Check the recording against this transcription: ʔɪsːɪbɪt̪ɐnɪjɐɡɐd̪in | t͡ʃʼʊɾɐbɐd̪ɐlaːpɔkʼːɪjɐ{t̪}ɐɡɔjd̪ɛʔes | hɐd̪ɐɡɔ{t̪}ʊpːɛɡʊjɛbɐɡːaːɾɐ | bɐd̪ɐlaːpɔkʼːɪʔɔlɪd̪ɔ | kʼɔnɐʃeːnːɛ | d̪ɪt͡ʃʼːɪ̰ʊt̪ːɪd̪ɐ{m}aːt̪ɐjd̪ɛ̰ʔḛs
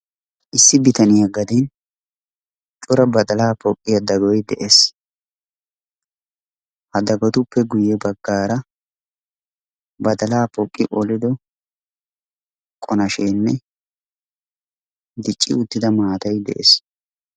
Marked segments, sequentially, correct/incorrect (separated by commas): incorrect, correct, correct